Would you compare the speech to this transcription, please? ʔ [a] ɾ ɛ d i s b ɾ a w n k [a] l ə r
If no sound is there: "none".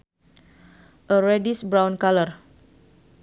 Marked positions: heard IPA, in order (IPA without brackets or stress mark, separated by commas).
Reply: ə, a